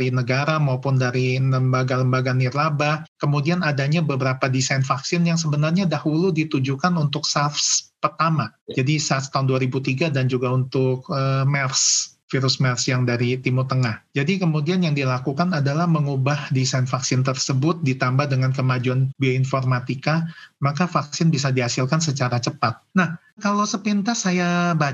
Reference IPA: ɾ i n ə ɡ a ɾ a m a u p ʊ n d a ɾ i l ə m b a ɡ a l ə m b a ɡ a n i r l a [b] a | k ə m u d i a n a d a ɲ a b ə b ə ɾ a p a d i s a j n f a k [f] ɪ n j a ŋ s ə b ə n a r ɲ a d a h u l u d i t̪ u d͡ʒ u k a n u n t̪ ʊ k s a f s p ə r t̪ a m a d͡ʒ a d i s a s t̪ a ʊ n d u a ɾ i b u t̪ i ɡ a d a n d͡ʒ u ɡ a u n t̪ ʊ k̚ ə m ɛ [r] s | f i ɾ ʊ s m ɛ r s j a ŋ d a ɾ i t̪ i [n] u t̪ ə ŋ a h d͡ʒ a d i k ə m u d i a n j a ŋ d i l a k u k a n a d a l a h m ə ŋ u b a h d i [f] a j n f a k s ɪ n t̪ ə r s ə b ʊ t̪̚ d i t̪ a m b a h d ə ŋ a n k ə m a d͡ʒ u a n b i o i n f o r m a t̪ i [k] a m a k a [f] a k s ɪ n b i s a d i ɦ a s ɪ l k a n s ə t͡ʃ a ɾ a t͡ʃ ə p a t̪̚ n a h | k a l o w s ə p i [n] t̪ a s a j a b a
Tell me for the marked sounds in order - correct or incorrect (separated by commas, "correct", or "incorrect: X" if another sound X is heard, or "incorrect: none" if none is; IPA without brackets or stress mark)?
correct, incorrect: s, correct, incorrect: m, incorrect: s, correct, correct, correct